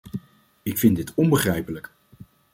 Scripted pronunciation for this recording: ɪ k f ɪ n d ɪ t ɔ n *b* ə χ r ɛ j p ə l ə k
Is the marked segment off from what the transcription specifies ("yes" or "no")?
no